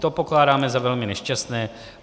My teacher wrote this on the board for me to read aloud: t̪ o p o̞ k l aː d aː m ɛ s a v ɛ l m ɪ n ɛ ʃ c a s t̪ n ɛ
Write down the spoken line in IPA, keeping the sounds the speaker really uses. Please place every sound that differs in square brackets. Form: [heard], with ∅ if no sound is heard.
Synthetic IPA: t̪ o p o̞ k l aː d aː m ɛ [z] a v ɛ l m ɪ n ɛ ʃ c a s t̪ n [ɛː]